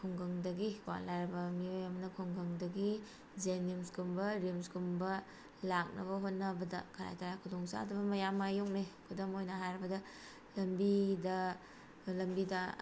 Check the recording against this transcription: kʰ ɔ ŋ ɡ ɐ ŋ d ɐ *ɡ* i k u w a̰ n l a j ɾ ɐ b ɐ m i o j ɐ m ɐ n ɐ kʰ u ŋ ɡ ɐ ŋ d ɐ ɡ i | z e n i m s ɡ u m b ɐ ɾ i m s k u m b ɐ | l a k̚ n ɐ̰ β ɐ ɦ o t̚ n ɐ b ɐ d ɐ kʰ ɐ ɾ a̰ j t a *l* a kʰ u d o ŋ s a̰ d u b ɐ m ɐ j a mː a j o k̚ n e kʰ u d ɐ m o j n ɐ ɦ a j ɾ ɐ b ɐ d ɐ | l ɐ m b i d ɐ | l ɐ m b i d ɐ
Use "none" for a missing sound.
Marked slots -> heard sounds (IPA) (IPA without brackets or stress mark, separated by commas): ɡ, ɾ